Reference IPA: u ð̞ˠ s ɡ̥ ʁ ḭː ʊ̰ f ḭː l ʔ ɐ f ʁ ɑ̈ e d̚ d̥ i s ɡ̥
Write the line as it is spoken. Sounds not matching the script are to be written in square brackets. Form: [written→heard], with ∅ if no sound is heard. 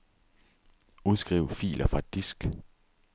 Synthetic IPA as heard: u ð̞ˠ s ɡ̥ ʁ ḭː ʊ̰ f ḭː l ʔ ɐ f ʁ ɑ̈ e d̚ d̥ i s ɡ̥